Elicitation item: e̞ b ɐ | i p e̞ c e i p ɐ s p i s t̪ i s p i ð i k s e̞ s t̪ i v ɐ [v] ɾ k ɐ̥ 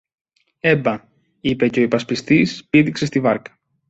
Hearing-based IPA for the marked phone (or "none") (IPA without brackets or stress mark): none